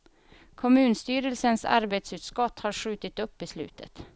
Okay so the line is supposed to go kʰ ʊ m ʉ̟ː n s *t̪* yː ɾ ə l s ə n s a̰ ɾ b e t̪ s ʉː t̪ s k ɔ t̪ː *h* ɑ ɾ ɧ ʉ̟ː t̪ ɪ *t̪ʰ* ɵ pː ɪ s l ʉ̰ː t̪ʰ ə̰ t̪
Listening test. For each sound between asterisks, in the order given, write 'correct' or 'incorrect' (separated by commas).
correct, correct, incorrect